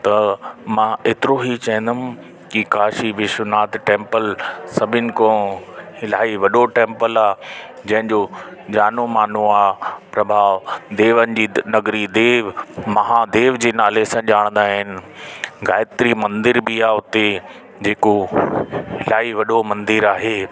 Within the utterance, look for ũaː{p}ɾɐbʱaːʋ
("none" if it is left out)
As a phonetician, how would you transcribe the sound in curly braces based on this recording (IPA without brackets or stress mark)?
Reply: p